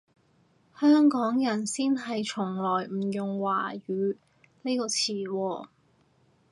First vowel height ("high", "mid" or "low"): mid